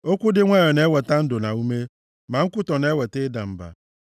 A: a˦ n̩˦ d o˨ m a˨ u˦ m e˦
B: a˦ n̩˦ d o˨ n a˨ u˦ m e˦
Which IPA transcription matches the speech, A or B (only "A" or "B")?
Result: B